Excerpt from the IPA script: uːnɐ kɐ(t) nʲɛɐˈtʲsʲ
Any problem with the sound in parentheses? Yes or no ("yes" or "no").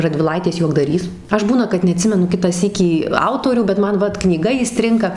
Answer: no